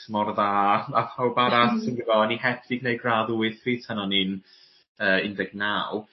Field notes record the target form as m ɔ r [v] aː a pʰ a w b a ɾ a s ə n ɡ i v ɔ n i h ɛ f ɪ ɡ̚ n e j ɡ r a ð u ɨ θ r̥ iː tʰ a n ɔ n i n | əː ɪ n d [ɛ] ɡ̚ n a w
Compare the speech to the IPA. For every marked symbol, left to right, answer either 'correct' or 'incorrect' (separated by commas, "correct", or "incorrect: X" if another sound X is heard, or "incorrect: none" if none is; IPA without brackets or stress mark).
incorrect: ð, correct